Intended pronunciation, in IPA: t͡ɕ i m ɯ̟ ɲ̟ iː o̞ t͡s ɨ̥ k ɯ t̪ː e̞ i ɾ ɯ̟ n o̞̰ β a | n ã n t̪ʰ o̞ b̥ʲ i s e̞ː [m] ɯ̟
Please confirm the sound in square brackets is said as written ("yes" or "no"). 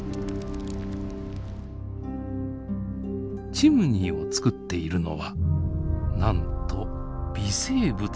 no